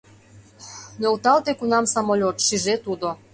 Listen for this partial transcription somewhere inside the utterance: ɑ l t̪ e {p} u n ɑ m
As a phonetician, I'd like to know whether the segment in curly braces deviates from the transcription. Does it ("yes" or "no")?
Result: yes